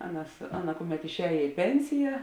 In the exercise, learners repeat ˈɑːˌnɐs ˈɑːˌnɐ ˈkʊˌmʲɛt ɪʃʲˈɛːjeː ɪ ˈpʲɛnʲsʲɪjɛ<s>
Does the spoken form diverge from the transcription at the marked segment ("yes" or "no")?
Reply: yes